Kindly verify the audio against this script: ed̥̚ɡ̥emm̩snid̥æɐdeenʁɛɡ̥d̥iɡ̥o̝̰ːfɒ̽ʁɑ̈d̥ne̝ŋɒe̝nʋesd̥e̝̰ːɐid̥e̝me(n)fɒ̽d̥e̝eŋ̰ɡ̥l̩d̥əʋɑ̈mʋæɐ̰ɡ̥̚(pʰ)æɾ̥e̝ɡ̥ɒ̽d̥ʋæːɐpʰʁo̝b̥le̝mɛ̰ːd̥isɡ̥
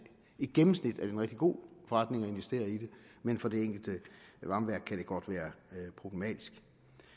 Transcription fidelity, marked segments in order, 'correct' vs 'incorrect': correct, incorrect: kʰ

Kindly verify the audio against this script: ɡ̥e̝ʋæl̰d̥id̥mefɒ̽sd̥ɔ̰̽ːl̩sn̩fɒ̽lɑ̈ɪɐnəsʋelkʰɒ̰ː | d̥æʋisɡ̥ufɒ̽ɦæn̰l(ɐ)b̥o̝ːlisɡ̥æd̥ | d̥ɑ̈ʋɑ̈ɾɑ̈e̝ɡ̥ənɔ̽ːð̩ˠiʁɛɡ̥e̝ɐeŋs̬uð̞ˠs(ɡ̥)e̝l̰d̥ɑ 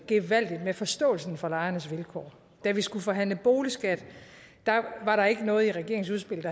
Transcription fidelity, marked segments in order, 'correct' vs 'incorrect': incorrect: ə, incorrect: b̥

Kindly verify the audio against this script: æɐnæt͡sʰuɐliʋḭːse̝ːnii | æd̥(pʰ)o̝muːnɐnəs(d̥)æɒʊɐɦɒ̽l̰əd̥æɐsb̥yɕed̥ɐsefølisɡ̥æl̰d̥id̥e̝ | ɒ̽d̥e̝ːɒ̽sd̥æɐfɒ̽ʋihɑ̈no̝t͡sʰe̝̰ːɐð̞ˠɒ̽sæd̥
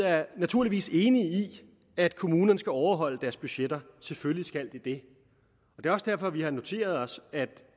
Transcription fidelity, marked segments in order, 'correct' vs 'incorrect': incorrect: kʰ, incorrect: ɡ̥

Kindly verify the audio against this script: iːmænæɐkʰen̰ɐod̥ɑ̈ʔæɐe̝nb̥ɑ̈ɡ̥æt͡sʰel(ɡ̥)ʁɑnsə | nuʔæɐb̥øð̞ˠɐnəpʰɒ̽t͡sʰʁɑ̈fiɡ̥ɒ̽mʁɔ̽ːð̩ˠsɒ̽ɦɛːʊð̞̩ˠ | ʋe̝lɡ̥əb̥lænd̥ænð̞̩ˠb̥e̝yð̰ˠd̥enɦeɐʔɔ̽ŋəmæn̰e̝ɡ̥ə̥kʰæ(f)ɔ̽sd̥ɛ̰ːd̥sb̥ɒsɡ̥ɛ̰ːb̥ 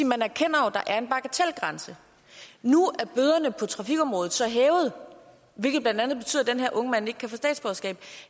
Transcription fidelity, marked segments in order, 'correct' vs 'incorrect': correct, correct

